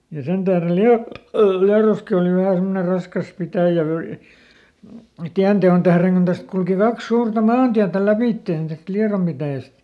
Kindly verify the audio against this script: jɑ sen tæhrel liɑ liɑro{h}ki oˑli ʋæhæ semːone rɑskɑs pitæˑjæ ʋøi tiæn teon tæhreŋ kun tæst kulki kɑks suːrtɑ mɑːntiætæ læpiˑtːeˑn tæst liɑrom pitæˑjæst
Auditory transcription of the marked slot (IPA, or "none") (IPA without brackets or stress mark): s